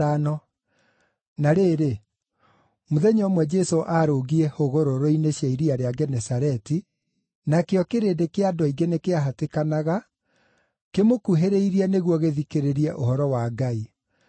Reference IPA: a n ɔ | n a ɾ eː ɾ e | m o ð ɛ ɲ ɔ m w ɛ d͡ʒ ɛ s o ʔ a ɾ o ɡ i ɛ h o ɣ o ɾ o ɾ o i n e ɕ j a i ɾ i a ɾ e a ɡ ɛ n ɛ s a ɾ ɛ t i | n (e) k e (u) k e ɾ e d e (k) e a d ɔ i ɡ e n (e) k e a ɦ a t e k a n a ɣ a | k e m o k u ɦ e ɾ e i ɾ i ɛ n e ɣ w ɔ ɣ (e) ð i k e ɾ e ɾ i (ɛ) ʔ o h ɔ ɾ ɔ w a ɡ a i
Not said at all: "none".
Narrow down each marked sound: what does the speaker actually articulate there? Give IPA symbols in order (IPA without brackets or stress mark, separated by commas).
a, ɔ, k, e, e, ɛ